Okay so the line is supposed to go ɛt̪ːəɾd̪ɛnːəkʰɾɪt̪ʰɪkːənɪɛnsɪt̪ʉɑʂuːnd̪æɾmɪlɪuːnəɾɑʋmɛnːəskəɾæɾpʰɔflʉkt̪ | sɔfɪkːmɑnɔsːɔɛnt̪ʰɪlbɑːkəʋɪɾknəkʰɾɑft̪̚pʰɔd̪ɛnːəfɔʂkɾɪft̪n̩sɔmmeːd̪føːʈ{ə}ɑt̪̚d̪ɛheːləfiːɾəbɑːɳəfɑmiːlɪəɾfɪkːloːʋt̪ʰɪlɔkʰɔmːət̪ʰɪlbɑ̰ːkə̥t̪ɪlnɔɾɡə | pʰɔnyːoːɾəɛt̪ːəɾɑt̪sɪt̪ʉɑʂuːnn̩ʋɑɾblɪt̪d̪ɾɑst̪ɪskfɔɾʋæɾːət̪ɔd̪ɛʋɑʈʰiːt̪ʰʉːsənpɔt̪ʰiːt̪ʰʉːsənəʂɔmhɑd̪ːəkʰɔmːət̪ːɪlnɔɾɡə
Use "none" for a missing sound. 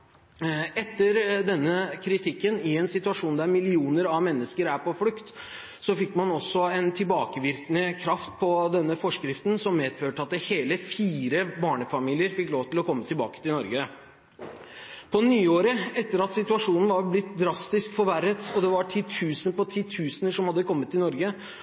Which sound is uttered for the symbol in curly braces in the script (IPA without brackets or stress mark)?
ə